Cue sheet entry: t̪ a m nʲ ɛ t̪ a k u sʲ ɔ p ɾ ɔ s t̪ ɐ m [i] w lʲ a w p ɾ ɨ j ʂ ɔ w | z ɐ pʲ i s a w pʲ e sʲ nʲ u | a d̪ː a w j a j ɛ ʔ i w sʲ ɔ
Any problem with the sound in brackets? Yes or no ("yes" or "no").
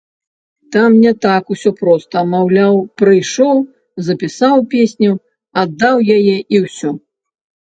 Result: yes